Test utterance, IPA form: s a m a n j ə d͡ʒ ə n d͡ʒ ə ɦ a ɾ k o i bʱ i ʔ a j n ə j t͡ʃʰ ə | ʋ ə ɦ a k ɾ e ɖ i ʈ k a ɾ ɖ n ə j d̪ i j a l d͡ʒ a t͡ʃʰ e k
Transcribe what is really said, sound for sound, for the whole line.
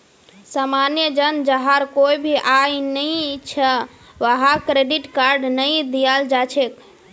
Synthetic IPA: s a m a n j ə d͡ʒ ə n d͡ʒ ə ɦ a ɾ k o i bʱ i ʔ a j n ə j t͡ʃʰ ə | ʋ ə ɦ a k ɾ e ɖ i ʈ k a ɾ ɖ n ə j d̪ i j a l d͡ʒ a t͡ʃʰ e k

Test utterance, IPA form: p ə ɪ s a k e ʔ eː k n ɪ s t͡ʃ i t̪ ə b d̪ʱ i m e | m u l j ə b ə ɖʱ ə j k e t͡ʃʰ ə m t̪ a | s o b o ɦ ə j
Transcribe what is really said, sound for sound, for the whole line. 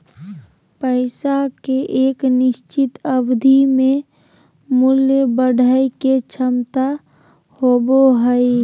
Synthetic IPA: p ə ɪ s a k e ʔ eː k n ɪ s t͡ʃ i t̪ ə b d̪ʱ i m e | m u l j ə b ə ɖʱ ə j k e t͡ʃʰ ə m t̪ a | h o b o ɦ ə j

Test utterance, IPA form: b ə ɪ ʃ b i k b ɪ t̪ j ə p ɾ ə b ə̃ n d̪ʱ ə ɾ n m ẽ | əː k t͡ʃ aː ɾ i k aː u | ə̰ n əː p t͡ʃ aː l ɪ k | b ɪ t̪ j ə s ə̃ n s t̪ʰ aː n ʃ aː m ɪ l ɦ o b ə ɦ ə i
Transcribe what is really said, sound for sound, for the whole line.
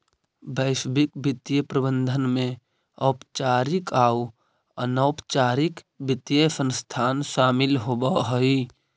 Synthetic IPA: b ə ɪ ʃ b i k b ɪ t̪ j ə p ɾ ə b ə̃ n d̪ʱ ə n m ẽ | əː p t͡ʃ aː ɾ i k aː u | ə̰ n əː p t͡ʃ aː ɾ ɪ k | b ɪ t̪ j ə s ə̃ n s t̪ʰ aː n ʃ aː m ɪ l ɦ o b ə ɦ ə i

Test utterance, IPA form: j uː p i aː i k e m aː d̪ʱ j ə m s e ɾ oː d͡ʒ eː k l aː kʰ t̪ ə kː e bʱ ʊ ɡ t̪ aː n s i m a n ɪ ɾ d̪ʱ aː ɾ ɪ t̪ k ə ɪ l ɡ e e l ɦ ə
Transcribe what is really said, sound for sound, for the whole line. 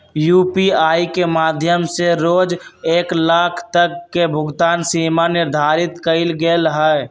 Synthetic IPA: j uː p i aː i k e m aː d̪ʱ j ə m s e ɾ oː d͡ʒ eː k l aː kʰ t̪ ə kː e bʱ ʊ ɡ t̪ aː n s i m a n ɪ ɾ d̪ʱ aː ɾ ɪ t̪ k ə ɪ l ɡ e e l ɦ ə

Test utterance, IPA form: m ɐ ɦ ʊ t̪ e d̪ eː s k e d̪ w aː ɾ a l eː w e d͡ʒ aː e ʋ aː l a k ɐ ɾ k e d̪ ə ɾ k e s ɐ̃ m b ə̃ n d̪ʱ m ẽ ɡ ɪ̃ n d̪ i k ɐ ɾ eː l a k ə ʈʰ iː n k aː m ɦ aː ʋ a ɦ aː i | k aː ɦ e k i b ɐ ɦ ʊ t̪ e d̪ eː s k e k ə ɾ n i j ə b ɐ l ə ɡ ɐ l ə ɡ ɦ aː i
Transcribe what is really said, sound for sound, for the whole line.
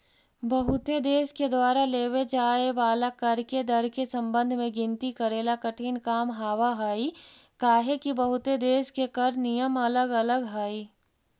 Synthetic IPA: b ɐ ɦ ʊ t̪ e d̪ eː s k e d̪ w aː ɾ a l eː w e d͡ʒ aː e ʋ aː l a k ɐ ɾ k e d̪ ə ɾ k e s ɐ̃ m b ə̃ n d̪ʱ m ẽ ɡ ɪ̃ n t̪ i k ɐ ɾ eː l a k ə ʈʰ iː n k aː m ɦ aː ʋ a ɦ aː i | k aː ɦ e k i b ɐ ɦ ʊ t̪ e d̪ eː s k e k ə ɾ n i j ə m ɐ l ə ɡ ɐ l ə ɡ ɦ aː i

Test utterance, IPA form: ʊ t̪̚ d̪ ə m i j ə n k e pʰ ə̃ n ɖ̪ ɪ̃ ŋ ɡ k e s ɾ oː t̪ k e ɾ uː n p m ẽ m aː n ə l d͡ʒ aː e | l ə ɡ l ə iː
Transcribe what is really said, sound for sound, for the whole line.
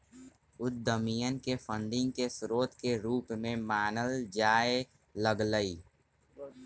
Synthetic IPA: ʊ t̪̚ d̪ ə m i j ə n k e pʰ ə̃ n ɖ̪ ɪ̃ ŋ ɡ k e s ɾ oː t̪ k e ɾ uː p m ẽ m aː n ə l d͡ʒ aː e | l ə ɡ l ə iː

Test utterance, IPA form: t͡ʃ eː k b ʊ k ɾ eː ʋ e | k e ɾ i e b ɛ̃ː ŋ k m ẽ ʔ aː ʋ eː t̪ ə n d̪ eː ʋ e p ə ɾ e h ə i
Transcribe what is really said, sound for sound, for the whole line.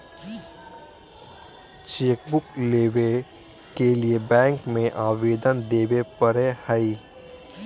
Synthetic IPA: t͡ʃ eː k b ʊ k l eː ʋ e | k e l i e b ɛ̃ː ŋ k m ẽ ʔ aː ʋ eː d̪ ə n d̪ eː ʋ e p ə ɾ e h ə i

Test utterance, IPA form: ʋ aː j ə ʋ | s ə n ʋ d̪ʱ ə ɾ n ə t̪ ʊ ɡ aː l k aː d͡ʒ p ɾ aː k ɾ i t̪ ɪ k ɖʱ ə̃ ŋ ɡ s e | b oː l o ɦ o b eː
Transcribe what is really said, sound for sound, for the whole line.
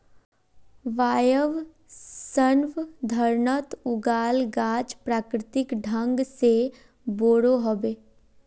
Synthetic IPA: ʋ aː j ə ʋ | s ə n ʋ d̪ʱ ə ɾ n ə t̪ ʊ ɡ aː l ɡ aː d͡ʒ p ɾ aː k ɾ ɪ t̪ ɪ k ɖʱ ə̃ ŋ ɡ s e | b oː ɽ o ɦ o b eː

